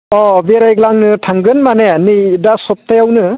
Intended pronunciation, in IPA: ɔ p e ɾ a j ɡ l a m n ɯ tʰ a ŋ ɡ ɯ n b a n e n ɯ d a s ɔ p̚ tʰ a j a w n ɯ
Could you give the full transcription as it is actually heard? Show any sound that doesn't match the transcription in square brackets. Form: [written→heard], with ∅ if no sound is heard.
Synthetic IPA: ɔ [p→b] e ɾ a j ɡ l a [m→ŋ] n ɯ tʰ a ŋ ɡ ɯ n [b→m] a n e n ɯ d a s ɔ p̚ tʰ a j a w n ɯ